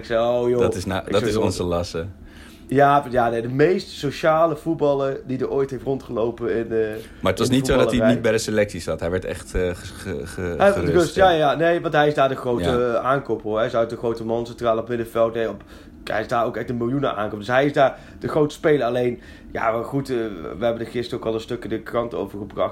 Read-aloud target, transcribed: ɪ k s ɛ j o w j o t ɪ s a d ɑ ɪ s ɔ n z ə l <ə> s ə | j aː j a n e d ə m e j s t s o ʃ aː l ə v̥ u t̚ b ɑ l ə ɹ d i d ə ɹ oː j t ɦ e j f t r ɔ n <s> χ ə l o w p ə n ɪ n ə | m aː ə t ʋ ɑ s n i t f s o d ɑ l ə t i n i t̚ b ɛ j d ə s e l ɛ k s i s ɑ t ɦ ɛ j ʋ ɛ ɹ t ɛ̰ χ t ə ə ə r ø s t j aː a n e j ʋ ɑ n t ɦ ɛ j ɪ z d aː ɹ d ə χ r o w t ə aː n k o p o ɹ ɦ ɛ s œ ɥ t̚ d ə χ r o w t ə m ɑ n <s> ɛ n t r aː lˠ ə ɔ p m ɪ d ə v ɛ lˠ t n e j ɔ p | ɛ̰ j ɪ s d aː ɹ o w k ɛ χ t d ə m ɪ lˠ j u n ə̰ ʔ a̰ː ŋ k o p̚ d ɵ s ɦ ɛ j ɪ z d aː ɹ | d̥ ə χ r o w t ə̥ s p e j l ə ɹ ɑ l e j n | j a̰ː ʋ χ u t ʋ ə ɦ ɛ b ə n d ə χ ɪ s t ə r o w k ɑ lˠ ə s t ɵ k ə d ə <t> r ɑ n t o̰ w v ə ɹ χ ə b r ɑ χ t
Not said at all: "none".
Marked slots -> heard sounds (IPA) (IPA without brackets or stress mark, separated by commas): ɑ, t, s, k